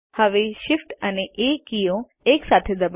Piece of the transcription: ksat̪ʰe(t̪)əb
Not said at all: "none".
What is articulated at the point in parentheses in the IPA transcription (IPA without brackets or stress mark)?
d̪